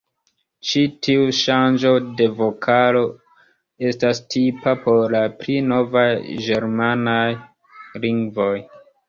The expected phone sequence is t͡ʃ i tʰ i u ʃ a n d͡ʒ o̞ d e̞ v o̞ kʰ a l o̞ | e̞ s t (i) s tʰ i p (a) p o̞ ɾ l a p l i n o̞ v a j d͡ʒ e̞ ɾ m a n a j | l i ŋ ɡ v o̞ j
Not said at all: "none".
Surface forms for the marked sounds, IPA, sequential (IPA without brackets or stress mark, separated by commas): a, a